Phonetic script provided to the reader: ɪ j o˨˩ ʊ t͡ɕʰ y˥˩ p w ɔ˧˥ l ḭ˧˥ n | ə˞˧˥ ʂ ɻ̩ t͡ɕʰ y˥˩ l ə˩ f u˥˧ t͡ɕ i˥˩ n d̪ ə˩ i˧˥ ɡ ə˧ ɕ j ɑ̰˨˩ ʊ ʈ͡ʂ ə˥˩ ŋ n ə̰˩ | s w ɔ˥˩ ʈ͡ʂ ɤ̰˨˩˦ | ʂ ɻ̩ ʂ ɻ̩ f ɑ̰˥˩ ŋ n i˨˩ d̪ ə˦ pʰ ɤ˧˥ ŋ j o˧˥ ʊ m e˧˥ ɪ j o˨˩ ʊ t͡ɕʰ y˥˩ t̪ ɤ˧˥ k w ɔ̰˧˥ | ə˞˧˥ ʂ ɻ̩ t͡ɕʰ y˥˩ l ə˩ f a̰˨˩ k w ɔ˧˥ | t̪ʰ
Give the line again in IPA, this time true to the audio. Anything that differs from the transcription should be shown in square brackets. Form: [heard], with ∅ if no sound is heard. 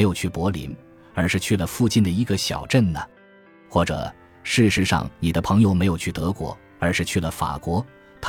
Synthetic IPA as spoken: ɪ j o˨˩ ʊ t͡ɕʰ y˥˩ p w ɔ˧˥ l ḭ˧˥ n | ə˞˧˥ ʂ ɻ̩ t͡ɕʰ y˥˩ l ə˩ f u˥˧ t͡ɕ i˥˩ n d̪ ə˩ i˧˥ ɡ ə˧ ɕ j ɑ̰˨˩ ʊ ʈ͡ʂ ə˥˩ [n] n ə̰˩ | [x] w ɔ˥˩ ʈ͡ʂ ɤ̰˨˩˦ | ʂ ɻ̩ ʂ ɻ̩ [ʂ] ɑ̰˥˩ ŋ n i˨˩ d̪ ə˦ pʰ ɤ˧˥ ŋ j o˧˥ ʊ m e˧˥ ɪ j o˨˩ ʊ t͡ɕʰ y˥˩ t̪ ɤ˧˥ k w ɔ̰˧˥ | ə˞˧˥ ʂ ɻ̩ t͡ɕʰ y˥˩ l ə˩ f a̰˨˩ k w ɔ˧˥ | t̪ʰ